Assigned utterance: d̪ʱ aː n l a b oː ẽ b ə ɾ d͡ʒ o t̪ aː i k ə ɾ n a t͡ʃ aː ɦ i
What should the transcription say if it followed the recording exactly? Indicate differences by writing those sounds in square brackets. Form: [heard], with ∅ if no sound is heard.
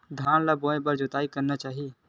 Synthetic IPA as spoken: d̪ʱ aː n l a b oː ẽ b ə ɾ d͡ʒ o t̪ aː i k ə ɾ n a t͡ʃ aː ɦ i